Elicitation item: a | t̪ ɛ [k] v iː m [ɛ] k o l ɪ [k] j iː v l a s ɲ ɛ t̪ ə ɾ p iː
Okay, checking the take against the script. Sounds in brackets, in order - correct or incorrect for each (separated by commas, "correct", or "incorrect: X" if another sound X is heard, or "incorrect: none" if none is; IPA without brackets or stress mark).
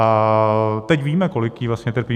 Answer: incorrect: c, correct, correct